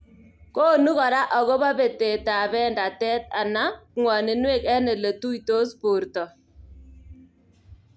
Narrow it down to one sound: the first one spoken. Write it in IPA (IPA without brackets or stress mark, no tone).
k